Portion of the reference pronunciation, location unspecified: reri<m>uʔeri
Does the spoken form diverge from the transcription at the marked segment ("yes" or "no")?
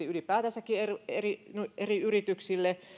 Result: yes